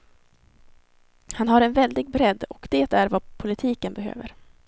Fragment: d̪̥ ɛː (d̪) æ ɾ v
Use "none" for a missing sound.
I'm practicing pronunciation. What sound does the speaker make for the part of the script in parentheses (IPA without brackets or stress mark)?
t̪